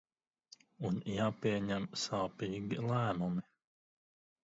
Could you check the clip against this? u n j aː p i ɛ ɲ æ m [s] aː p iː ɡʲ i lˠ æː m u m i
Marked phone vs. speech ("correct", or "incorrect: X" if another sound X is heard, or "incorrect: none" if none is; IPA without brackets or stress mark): correct